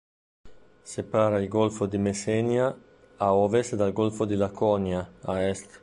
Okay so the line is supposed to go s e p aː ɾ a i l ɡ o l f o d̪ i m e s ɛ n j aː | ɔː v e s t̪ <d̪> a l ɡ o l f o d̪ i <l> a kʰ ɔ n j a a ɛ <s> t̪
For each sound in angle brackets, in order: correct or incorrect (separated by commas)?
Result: correct, correct, correct